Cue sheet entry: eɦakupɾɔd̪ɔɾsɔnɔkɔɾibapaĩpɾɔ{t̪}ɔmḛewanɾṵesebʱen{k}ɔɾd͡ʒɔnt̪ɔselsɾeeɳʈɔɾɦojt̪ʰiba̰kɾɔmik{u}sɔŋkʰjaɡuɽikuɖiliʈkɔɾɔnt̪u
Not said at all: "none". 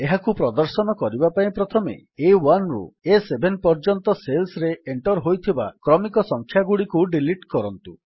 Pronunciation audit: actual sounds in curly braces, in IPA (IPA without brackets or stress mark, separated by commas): t̪ʰ, p, ɔ